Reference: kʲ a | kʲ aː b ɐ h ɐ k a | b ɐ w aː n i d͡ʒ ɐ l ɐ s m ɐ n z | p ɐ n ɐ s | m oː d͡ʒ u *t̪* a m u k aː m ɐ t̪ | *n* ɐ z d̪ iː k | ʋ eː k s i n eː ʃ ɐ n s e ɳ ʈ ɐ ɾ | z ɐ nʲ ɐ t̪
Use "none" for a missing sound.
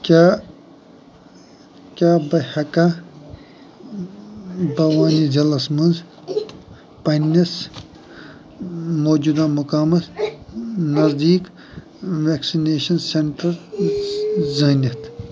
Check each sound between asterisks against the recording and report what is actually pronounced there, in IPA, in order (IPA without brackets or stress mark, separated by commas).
d̪, n